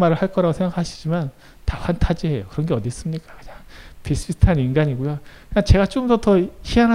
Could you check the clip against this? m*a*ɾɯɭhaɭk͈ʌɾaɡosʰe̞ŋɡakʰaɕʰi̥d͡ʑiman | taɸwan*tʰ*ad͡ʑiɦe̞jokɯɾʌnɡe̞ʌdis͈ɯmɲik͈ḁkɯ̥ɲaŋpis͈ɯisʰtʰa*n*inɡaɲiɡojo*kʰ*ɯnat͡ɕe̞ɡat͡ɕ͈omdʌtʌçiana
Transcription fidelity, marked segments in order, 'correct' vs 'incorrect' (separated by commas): correct, correct, correct, incorrect